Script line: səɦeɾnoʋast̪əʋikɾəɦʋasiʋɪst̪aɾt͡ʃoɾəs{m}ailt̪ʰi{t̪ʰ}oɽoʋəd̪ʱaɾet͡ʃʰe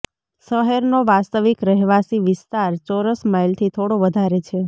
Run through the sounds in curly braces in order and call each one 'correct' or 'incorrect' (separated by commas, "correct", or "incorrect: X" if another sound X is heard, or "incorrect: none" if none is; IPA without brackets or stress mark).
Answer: correct, correct